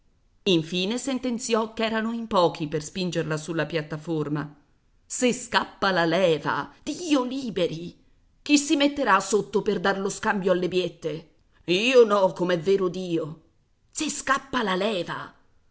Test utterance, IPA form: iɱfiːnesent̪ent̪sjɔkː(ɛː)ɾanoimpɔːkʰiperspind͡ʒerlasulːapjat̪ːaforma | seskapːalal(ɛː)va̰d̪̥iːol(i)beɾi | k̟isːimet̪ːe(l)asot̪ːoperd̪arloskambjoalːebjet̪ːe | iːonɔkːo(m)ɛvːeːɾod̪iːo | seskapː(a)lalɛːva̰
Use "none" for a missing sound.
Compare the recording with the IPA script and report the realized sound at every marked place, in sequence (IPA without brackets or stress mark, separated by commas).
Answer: ɛː, ɛː, iː, ɾ, m, a